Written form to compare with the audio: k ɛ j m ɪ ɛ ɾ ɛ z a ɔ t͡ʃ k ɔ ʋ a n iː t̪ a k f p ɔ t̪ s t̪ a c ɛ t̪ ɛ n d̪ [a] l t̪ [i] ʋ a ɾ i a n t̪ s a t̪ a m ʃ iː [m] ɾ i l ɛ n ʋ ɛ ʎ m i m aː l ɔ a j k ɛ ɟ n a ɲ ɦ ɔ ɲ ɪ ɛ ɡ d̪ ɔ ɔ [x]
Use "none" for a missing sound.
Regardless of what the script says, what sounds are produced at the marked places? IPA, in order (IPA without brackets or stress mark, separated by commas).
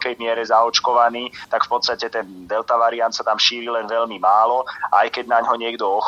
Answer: ɛ, a, none, x